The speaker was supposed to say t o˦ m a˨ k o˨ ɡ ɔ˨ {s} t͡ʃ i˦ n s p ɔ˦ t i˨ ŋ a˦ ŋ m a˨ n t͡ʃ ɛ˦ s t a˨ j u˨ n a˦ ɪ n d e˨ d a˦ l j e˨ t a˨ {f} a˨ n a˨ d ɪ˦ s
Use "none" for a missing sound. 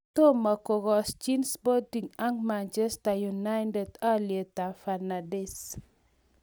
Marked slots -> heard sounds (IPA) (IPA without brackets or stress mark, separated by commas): s, f